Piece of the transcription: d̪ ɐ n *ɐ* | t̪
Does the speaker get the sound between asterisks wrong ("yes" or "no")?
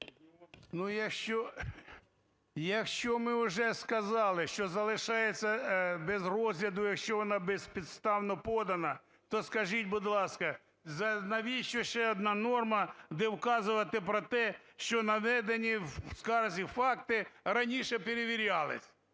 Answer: no